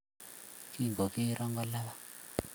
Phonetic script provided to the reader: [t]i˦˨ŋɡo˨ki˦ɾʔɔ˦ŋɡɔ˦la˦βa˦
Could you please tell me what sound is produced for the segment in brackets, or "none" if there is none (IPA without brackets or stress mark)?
k